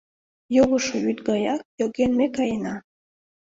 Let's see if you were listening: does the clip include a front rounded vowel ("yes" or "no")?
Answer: yes